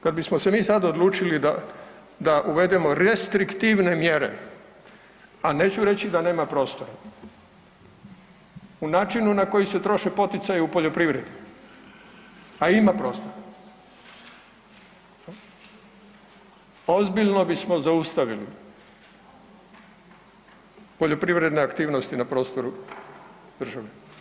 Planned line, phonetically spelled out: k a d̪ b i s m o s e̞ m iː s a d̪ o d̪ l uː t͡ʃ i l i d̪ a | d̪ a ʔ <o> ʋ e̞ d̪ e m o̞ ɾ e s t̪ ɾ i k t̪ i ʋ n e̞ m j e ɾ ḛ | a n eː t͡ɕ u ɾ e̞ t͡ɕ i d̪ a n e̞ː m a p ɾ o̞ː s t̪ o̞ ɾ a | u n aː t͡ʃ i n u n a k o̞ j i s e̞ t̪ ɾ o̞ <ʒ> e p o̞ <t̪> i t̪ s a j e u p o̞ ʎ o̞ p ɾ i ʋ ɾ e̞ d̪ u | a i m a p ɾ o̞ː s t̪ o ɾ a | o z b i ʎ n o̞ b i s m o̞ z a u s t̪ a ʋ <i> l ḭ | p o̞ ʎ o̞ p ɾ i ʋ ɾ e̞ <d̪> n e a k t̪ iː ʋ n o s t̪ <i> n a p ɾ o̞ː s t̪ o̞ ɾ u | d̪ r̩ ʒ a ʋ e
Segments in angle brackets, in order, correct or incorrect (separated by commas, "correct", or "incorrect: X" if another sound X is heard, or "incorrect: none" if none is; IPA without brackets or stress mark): incorrect: u, incorrect: ʃ, correct, correct, correct, correct